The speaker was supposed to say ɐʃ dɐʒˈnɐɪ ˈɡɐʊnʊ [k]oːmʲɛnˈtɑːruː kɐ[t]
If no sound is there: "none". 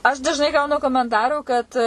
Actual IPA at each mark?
k, t

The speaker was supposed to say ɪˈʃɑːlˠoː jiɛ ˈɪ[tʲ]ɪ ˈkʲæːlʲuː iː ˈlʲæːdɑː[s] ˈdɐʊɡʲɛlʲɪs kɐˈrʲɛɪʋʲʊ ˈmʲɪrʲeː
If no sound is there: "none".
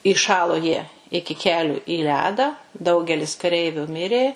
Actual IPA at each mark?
kʲ, none

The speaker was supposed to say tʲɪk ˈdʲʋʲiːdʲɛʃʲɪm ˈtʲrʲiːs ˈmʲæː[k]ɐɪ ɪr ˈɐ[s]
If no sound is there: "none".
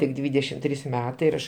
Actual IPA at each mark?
t, ʃ

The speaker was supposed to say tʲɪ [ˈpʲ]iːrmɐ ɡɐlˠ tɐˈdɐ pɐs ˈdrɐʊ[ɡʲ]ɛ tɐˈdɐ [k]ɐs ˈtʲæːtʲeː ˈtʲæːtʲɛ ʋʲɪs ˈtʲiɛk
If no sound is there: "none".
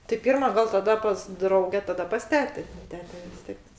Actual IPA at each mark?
pʲ, ɡʲ, p

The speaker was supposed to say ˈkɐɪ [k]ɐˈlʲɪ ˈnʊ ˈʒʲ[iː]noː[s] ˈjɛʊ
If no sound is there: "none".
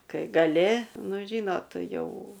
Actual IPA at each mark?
ɡ, iː, t

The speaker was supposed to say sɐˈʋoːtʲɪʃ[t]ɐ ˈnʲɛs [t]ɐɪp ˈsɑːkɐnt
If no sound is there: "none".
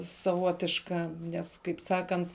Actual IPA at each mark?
k, k

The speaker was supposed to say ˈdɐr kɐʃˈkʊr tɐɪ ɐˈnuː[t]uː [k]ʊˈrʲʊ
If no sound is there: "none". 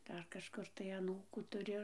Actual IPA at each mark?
k, t

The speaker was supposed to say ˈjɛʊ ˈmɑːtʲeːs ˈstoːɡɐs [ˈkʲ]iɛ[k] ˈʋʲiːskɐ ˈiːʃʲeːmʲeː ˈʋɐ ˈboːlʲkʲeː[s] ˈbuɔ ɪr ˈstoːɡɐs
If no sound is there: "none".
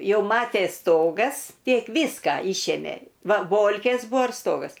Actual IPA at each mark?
tʲ, k, s

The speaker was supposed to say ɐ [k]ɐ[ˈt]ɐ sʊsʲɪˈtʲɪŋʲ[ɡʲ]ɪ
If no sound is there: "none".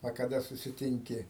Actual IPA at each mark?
k, d, kʲ

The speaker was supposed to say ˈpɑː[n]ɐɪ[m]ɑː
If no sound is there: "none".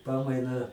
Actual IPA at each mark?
m, n

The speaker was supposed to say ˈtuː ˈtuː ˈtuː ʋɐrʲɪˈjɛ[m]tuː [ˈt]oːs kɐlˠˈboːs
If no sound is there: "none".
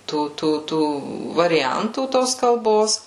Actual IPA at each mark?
n, t

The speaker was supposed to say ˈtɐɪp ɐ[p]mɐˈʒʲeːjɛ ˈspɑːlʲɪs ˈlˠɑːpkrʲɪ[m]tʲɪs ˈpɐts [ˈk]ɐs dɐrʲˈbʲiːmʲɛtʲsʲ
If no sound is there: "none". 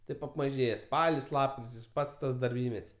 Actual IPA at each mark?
p, none, t

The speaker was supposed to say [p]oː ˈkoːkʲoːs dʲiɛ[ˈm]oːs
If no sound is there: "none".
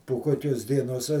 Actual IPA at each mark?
p, n

